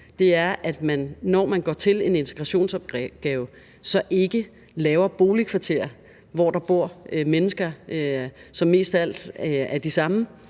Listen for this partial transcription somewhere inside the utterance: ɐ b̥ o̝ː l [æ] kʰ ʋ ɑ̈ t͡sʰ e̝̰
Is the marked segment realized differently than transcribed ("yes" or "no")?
yes